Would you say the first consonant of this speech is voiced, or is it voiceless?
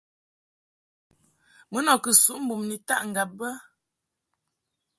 voiced